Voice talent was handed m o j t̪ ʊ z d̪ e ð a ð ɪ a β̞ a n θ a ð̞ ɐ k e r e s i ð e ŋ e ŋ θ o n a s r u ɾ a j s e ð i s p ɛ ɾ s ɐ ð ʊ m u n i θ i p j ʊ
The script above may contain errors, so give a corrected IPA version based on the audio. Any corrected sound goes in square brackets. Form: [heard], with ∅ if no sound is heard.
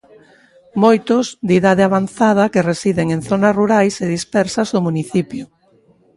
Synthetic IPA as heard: m o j t̪ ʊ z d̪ [i] ð a ð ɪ a β̞ a n θ a ð̞ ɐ k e r e s i ð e ŋ e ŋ θ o n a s r u ɾ a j s e ð i s p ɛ ɾ s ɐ [z] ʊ m u n i θ i p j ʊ